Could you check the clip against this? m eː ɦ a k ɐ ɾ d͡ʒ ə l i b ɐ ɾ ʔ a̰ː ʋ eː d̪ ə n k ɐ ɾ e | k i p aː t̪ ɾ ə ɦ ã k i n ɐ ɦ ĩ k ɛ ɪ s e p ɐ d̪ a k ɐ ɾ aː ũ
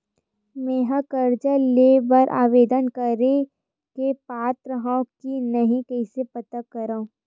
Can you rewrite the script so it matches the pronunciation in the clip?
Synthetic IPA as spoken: m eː ɦ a k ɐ ɾ d͡ʒ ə l e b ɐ ɾ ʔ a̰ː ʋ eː d̪ ə n k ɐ ɾ e | k e p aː t̪ ɾ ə ɦ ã k i n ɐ ɦ ĩ k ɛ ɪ s e p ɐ t̪ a k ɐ ɾ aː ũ